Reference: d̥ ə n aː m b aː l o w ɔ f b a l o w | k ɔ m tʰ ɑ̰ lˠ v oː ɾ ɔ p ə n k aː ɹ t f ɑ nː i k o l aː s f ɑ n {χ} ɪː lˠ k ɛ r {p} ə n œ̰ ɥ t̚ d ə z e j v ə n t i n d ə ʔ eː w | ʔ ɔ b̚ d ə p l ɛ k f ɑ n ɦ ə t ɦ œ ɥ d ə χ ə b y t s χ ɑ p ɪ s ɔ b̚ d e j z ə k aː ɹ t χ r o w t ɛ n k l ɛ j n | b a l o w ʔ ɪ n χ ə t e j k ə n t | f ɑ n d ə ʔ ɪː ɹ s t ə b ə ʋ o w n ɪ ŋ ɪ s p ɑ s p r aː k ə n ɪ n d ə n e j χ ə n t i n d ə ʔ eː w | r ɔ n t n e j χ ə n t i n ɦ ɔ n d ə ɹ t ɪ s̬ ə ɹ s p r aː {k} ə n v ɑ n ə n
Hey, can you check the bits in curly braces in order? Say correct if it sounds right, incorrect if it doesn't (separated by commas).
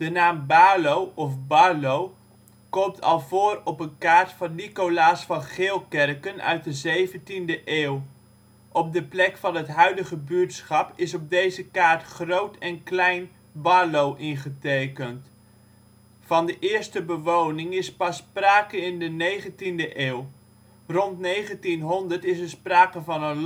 correct, incorrect, correct